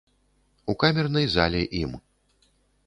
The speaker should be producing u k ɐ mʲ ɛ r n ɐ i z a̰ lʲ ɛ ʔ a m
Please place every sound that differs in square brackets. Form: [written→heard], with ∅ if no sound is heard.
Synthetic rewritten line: u k [ɐ→a] mʲ ɛ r n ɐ [i→j] z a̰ lʲ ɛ ʔ [a→i] m